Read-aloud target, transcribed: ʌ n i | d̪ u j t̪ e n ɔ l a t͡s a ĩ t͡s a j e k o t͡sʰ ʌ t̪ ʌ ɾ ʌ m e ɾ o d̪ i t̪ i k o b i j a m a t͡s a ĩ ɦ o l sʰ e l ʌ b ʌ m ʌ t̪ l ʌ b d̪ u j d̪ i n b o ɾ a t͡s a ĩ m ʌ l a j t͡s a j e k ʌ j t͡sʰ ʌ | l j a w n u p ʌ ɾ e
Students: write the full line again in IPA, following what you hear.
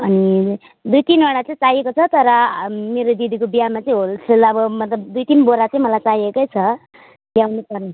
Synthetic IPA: ʌ n i | d̪ u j t̪ i n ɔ ɽ a t͡s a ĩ t͡s a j e k o t͡sʰ ʌ t̪ ʌ ɾ ʌ m e ɾ o d̪ i d̪ i k o b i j a m a t͡s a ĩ ɦ o l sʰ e l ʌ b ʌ m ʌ t̪ l ʌ b d̪ u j t̪ i n b o ɾ a t͡s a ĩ m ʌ l a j t͡s a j e k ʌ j t͡sʰ ʌ | l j a w n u p ʌ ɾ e

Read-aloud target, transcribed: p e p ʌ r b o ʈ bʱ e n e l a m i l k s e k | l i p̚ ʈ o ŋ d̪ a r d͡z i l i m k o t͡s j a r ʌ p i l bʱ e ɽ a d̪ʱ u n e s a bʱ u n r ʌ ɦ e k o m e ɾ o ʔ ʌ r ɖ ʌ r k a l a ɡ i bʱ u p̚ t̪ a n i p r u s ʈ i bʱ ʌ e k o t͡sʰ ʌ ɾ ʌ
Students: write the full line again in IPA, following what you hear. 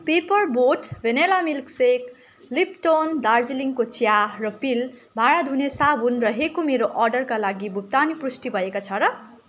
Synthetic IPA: p e p ʌ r b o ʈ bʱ e n e l a m i l k s e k | l i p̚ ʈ o n d̪ a r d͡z i l i ŋ k o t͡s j a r ʌ p i l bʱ a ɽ a d̪ʱ u n e s a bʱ u n r ʌ ɦ e k o m e ɾ o ʔ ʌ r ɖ ʌ r k a l a ɡ i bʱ u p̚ t̪ a n i p r u s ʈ i bʱ ʌ e k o t͡sʰ ʌ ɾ ʌ

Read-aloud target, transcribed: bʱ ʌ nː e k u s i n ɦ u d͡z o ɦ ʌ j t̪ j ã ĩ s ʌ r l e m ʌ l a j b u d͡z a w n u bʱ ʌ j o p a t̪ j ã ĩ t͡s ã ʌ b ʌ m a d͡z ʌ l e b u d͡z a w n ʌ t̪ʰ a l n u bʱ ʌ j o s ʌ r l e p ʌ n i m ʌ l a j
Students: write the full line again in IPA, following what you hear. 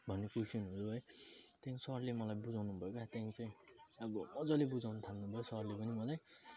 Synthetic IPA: bʱ ʌ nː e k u s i n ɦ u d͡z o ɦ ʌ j t̪ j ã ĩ s ʌ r l e m ʌ l a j b u d͡z a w n u bʱ ʌ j o k a t̪ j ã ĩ t͡s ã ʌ b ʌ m ʌ d͡z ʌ l e b u d͡z a w n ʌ t̪ʰ a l n u bʱ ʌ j o s ʌ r l e p ʌ n i m ʌ l a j

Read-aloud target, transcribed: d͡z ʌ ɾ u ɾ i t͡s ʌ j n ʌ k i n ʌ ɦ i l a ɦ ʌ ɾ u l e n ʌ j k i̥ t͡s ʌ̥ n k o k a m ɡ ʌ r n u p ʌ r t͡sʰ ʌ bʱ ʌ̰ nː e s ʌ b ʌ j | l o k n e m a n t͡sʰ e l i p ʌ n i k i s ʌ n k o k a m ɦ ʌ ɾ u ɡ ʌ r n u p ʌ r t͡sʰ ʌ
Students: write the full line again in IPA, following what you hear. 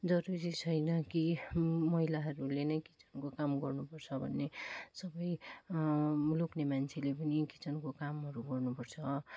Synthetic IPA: d͡z ʌ ɾ u ɾ i t͡sʰ ʌ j n ʌ k i m ʌ ɦ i l a ɦ ʌ ɾ u l e n ʌ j k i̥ t͡s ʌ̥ n k o k a m ɡ ʌ r n u p ʌ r t͡sʰ ʌ bʱ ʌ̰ nː e s ʌ b ʌ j | l o k n e m a n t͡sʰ e l e p ʌ n i k i t͡s ʌ n k o k a m ɦ ʌ ɾ u ɡ ʌ r n u p ʌ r t͡sʰ ʌ

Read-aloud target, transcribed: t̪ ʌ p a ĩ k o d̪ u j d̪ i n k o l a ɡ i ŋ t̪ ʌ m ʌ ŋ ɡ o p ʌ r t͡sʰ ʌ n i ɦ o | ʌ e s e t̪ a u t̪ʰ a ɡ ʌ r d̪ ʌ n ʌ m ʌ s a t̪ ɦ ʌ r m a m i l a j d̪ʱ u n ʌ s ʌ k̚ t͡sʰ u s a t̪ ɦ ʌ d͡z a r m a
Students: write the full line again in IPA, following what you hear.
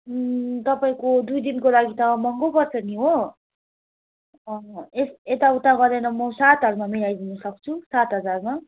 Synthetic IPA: t̪ ʌ p a ĩ k o d̪ u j d̪ i n k o l a ɡ i t̪ ʌ m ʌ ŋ ɡ o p ʌ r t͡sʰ ʌ n i ɦ o | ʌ e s e t̪ a u t̪ a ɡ ʌ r d̪ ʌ n ʌ m ʌ s a t̪ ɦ ʌ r m a m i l a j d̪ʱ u n ʌ s ʌ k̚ t͡sʰ u s a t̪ ɦ ʌ d͡z a r m a

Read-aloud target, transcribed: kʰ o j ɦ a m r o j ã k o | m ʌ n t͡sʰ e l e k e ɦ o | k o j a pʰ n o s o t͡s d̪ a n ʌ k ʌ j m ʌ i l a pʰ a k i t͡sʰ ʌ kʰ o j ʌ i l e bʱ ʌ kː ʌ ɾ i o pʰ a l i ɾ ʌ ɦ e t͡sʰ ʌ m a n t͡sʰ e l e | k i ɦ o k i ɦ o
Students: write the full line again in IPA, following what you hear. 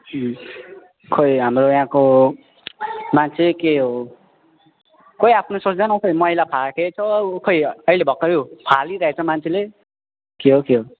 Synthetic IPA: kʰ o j ɦ a m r o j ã k o | m a n t͡sʰ e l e k e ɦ o | k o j a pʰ n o s o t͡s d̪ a n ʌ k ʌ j m ʌ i l a pʰ a k e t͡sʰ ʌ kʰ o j ʌ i l e bʱ ʌ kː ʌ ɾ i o pʰ a l i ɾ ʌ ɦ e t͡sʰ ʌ m a n t͡sʰ e l e | k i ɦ o k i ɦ o

